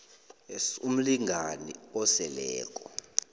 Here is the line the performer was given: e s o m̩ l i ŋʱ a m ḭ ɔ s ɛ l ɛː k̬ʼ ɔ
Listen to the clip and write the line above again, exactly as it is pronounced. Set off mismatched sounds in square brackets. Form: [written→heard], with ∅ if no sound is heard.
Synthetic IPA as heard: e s [o→u] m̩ l i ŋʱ a [m→n] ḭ ɔ s ɛ l ɛː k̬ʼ ɔ